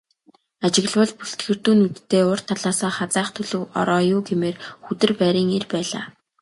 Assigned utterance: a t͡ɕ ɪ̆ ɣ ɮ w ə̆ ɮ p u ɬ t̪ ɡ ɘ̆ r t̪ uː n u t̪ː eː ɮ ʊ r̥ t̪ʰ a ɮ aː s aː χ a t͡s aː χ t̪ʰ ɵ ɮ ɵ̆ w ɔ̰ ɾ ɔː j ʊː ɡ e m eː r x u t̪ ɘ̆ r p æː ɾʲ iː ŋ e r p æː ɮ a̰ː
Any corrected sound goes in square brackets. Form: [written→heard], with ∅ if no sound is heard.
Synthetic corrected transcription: a t͡ɕ ɪ̆ ɣ ɮ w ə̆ ɮ p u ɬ t̪ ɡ ɘ̆ r t̪ uː n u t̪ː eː [ɮ→∅] ʊ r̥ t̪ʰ a ɮ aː s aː χ a t͡s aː χ t̪ʰ ɵ ɮ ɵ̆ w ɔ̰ ɾ ɔː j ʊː ɡ e m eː r x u t̪ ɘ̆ r p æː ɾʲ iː ŋ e r p æː ɮ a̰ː

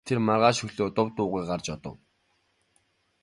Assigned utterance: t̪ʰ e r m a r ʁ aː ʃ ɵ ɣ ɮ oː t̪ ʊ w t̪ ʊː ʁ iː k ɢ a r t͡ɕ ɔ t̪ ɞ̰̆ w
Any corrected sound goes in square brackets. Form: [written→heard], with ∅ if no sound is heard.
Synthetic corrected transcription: t̪ʰ e r m a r ʁ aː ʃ ɵ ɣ ɮ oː t̪ ʊ w t̪ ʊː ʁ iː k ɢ a r t͡ɕ ɔ t̪ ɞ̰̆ w

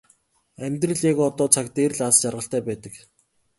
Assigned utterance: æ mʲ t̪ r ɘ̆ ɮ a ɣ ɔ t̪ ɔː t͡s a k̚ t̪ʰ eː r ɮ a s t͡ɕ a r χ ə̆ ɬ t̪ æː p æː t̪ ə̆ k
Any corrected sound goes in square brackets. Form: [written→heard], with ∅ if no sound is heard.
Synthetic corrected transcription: æ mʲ t̪ r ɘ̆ ɮ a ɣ ɔ t̪ ɔː [t͡s→t͡sʰ] a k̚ [t̪ʰ→t̪] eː r ɮ a s t͡ɕ a r [χ→ʁ] ə̆ ɬ t̪ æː p æː t̪ ə̆ k

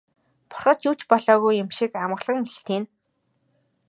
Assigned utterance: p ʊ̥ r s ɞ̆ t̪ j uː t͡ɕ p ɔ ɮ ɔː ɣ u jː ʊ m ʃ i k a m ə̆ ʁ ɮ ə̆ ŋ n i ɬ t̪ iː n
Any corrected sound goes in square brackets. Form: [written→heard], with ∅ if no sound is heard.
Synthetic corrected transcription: p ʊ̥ r [s→χ] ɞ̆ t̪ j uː t͡ɕ p ɔ ɮ ɔː ɣ u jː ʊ m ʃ i k a m ə̆ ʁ ɮ ə̆ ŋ [n→m] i ɬ t̪ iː n

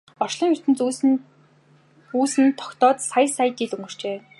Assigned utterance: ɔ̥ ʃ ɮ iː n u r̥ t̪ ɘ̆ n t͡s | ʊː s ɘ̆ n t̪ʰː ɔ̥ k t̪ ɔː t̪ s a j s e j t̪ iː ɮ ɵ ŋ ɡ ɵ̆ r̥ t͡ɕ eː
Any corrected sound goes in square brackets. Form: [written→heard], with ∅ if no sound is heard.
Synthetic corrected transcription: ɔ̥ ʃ ɮ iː [n→ŋ] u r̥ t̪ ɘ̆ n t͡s | [ʊː→uː] s ɘ̆ n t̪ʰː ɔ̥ k t̪ ɔː t̪ s a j s [e→a] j t̪ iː ɮ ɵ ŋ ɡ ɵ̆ r̥ t͡ɕ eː

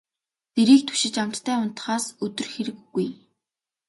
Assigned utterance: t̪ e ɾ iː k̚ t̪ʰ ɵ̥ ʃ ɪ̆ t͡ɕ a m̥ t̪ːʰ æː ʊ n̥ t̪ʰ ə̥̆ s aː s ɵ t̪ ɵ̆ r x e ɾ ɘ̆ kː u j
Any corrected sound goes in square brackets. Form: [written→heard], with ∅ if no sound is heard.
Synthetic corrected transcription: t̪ e ɾ iː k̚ t̪ʰ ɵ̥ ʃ ɪ̆ t͡ɕ a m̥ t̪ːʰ æː ʊ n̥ [t̪ʰ→t̪] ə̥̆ [s→χ] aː s ɵ t̪ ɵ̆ r x e ɾ ɘ̆ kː u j

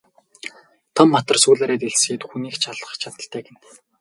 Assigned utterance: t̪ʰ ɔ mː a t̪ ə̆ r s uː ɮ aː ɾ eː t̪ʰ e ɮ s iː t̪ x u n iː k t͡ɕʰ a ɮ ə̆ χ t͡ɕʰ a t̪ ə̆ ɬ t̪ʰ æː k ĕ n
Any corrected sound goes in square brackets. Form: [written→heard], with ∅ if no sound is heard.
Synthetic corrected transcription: t̪ʰ ɔ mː a t̪ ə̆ r s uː ɮ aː ɾ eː [t̪ʰ→t̪] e ɮ s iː t̪ x u n iː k t͡ɕʰ a ɮ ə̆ χ t͡ɕʰ a t̪ ə̆ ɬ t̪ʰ æː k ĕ n

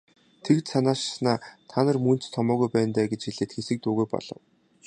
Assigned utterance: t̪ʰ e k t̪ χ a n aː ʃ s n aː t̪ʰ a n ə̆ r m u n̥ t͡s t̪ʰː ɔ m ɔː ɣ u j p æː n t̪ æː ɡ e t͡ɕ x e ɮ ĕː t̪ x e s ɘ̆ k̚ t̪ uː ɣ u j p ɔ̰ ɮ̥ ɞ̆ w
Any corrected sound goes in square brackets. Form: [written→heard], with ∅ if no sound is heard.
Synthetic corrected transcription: t̪ʰ e k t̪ [χ→s] a n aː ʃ s n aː t̪ʰ a n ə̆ r m u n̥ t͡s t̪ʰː ɔ m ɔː ɣ u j p æː n t̪ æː ɡ e t͡ɕ x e ɮ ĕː t̪ x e s ɘ̆ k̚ t̪ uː ɣ u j p ɔ̰ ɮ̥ ɞ̆ w

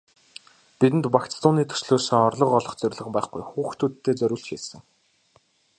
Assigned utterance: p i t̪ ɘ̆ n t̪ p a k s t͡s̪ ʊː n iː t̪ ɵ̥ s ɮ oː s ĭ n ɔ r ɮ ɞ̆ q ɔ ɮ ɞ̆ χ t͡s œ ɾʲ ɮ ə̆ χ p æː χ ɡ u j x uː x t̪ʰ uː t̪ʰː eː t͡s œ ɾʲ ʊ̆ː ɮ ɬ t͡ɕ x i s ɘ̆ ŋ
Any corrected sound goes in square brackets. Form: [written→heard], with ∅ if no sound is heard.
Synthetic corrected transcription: p i t̪ ɘ̆ n t̪ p a k [s→t͡s] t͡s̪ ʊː n iː [t̪→t̪ʰ] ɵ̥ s ɮ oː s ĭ [n→ŋ] ɔ r ɮ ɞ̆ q ɔ ɮ ɞ̆ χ t͡s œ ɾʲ ɮ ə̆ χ p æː χ ɡ u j x uː x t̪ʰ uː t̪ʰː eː t͡s œ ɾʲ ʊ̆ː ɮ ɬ t͡ɕ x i s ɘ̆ ŋ

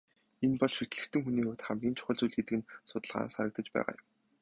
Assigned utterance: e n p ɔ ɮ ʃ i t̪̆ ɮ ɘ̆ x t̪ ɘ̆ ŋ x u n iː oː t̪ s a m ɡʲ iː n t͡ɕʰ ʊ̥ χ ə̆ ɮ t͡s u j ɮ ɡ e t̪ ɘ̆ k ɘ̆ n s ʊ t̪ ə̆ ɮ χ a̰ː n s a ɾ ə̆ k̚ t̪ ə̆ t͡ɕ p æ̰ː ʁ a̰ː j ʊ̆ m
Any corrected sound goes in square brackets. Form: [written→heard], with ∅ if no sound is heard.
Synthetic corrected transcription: e n p ɔ ɮ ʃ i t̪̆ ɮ ɘ̆ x t̪ ɘ̆ ŋ x u n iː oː t̪ [s→χ] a m ɡʲ iː n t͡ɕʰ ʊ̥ χ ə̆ ɮ t͡s u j ɮ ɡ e t̪ ɘ̆ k ɘ̆ n s ʊ t̪ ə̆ ɮ [χ→ʁ] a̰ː n s a ɾ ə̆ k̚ t̪ ə̆ t͡ɕ p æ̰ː ʁ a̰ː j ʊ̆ m

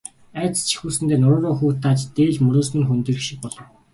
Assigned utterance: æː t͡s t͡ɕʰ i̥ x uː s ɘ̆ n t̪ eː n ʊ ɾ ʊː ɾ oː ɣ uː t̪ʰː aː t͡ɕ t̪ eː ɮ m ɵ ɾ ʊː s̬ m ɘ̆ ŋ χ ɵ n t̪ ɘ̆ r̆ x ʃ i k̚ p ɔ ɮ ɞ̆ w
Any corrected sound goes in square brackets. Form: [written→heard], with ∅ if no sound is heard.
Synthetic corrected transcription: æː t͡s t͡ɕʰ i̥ x uː s ɘ̆ n t̪ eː n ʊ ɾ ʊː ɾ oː [ɣ→x] uː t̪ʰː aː t͡ɕ t̪ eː ɮ m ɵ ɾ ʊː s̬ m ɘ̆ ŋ [χ→x] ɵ n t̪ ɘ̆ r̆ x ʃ i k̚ p ɔ ɮ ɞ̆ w

